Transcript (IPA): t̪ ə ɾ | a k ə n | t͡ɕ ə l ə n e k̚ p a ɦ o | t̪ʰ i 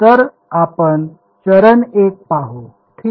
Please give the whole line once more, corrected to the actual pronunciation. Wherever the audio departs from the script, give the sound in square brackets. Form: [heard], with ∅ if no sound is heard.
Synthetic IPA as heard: t̪ ə ɾ | a [p] ə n | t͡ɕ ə [ɾ] ə n e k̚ p a ɦ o | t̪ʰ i